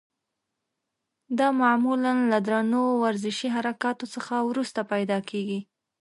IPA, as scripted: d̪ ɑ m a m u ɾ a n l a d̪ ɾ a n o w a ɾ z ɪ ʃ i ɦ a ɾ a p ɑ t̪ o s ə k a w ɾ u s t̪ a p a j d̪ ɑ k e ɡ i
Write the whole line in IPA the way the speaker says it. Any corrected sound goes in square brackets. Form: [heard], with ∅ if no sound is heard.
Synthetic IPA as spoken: d̪ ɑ m a m u [l] a n l a d̪ ɾ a n o w a ɾ z ɪ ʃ i ɦ a ɾ a [k] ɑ t̪ o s ə [x] a w ɾ u s t̪ a p a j d̪ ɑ k e ɡ i